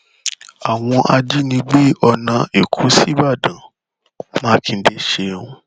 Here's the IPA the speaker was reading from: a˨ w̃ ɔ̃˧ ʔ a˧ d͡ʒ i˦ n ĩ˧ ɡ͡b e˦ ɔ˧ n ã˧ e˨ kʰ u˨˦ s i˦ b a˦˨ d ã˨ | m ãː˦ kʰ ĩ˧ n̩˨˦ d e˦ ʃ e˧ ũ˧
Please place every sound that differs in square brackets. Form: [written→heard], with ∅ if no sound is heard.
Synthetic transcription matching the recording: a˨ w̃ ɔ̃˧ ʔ a˧ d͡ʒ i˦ n ĩ˧ ɡ͡b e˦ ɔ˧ n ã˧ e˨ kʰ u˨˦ s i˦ b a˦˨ d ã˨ | m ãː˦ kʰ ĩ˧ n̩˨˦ d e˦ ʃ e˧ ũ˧